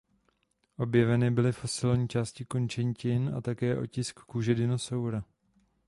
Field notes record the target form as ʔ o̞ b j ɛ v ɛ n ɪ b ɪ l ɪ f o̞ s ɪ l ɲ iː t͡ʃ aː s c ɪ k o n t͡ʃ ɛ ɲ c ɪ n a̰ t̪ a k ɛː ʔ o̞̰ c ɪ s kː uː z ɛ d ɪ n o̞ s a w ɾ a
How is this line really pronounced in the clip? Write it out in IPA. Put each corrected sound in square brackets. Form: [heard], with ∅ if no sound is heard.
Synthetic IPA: ʔ o̞ b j ɛ v ɛ n ɪ b ɪ l ɪ f o̞ s ɪ l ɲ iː t͡ʃ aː s c ɪ k o n t͡ʃ ɛ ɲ c ɪ n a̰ t̪ a k ɛː ʔ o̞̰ c ɪ s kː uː [ʒ] ɛ d ɪ n o̞ s a w ɾ a